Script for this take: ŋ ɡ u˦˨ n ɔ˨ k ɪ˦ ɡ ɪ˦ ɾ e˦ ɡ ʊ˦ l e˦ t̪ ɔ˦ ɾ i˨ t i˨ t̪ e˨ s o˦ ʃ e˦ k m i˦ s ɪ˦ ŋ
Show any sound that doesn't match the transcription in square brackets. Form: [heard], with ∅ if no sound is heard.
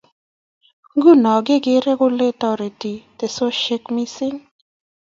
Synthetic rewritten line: ŋ ɡ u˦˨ n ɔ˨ [ɡ] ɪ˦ ɡ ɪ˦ ɾ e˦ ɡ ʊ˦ l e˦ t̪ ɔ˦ ɾ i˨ t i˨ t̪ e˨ s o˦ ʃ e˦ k m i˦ s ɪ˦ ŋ